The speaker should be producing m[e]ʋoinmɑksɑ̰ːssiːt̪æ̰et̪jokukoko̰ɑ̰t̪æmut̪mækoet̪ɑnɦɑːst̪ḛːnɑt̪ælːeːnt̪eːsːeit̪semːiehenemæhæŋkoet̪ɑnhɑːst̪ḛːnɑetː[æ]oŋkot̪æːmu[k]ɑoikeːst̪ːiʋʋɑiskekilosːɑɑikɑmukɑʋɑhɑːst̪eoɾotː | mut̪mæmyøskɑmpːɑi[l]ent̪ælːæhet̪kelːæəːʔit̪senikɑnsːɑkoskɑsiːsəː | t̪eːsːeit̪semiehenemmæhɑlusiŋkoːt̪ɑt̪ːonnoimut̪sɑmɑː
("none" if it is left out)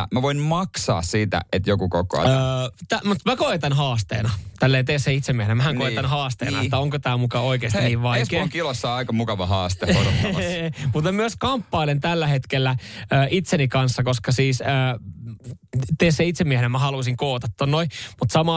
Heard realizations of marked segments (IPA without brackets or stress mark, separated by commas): æ, æ, k, l